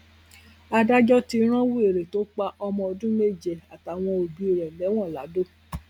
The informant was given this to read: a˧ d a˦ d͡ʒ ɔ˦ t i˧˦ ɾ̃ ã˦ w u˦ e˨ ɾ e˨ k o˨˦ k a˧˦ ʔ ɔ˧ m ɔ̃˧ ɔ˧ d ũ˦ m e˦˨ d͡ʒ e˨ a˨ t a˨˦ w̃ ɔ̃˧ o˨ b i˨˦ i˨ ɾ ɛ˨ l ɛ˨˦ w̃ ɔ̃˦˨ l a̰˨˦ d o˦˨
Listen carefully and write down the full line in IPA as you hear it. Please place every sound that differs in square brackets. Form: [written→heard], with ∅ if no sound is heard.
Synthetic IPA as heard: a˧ d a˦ d͡ʒ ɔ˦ t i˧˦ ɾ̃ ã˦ w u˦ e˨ ɾ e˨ [k→t] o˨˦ [k→k͡p] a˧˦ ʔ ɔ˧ m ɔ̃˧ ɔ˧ d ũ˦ m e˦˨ d͡ʒ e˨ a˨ t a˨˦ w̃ ɔ̃˧ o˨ b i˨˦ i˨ ɾ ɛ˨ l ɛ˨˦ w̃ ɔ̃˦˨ l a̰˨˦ d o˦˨